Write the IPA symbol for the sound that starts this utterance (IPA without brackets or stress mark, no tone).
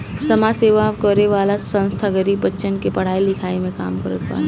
s